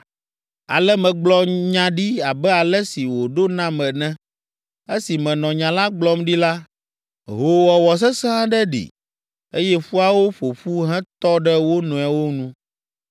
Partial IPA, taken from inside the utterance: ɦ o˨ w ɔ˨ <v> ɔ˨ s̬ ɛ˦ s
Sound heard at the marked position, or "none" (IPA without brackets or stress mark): w